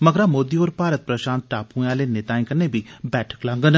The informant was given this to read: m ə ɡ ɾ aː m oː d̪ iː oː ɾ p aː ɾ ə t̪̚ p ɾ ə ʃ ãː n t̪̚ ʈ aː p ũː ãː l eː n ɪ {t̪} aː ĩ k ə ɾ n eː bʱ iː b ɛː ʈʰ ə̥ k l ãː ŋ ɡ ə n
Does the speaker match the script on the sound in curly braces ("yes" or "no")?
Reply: yes